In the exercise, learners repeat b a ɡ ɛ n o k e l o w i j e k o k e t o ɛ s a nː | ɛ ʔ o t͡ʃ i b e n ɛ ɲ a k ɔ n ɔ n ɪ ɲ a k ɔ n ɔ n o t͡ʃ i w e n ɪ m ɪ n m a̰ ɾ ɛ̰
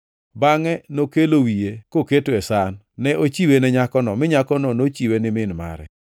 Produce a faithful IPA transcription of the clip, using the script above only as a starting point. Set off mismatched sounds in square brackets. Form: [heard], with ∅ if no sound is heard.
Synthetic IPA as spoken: b a [ŋ] ɛ n o k e l o w i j e k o k e t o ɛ s a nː | ɛ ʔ o t͡ʃ i [w] e n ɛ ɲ a k ɔ n ɔ [m] ɪ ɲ a k ɔ n ɔ n o t͡ʃ i w e n ɪ m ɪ n m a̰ ɾ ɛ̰